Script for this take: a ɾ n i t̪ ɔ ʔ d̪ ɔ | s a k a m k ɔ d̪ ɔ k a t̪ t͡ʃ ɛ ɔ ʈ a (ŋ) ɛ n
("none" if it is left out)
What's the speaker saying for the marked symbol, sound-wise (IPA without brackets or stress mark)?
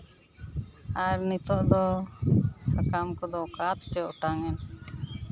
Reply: ŋ